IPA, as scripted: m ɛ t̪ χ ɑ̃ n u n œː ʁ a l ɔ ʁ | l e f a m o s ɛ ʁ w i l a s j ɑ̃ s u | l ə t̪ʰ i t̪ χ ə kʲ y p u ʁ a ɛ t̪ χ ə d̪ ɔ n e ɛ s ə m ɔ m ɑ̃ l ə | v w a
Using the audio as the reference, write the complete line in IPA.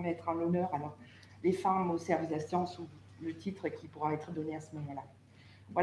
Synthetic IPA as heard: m ɛ t̪ χ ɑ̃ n ɔ n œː ʁ a l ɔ ʁ | l e f a m o s ɛ ʁ v i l a s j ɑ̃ s u | l ə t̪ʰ i t̪ χ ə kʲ i p u ʁ a ɛ t̪ χ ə d̪ ɔ n e a s ə m ɔ m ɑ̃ l a | v w a